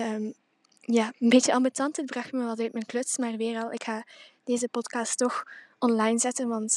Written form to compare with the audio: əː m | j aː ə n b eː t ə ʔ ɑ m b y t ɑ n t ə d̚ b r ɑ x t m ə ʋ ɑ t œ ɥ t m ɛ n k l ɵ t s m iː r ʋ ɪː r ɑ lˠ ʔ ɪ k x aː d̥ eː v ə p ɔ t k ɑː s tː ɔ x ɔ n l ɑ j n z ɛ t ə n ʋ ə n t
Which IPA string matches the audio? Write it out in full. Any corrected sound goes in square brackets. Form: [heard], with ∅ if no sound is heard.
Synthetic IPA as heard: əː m | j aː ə n b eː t ə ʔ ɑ m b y t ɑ n t ə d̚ b r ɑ x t m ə ʋ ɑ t œ ɥ t m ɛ n k l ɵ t s m [aː] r ʋ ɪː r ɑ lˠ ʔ ɪ k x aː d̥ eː [z] ə p ɔ t k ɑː s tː ɔ x ɔ n l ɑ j n z ɛ t ə n ʋ [ɑ] n t